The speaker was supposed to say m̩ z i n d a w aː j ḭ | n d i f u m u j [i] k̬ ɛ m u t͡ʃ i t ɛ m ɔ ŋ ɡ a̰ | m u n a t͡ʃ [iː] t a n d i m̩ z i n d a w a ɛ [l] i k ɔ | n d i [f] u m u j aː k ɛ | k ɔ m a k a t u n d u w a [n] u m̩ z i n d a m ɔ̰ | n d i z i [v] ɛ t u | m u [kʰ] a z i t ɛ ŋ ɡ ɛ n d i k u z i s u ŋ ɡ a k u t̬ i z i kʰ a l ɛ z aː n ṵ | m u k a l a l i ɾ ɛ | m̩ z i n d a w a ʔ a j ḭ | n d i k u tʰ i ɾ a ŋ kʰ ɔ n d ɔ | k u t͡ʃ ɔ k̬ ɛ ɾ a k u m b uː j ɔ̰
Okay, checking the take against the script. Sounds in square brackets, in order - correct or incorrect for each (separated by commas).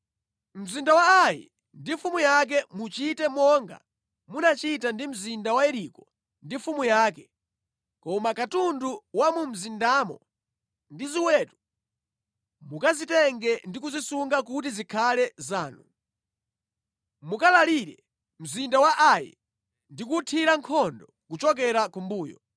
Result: incorrect, incorrect, incorrect, correct, incorrect, incorrect, incorrect